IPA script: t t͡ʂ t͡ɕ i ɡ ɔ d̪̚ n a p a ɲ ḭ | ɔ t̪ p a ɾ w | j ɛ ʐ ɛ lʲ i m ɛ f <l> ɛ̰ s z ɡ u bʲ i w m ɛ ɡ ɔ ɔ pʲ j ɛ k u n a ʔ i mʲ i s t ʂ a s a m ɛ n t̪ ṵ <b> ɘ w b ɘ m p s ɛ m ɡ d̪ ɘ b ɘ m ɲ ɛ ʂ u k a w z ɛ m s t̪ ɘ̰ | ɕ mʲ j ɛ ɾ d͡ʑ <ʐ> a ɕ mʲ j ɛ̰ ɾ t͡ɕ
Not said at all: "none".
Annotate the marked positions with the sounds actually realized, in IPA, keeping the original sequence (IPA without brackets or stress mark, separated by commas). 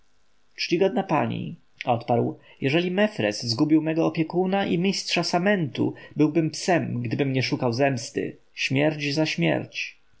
ɾ, b, z